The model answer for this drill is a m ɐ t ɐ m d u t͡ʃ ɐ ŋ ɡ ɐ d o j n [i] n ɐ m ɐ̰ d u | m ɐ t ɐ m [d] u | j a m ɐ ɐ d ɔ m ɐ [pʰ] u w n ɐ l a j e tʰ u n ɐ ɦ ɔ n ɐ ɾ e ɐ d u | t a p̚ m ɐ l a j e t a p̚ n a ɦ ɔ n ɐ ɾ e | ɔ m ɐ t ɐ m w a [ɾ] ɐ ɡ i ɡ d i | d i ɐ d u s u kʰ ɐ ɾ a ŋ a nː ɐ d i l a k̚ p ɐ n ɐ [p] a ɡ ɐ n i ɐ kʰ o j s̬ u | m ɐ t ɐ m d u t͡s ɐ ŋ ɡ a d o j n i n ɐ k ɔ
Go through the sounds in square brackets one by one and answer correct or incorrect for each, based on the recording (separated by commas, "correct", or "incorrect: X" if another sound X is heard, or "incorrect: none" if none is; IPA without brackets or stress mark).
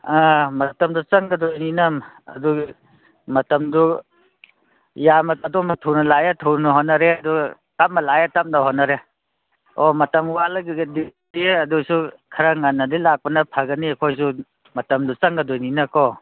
correct, correct, incorrect: tʰ, incorrect: l, incorrect: pʰ